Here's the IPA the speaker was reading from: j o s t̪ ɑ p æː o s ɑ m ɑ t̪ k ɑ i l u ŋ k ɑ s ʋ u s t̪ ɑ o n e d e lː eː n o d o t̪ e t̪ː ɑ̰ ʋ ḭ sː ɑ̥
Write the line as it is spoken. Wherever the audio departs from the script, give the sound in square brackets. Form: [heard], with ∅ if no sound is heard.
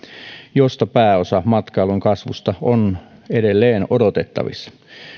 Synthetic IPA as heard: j o s t̪ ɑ p æː o s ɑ m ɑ t̪ k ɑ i l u ŋ k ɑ s ʋ u s t̪ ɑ o n e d e lː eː n o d o t̪ e t̪ː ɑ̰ ʋ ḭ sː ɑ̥